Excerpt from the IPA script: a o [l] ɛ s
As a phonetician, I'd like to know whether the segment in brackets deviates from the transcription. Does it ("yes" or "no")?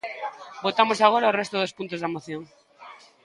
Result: yes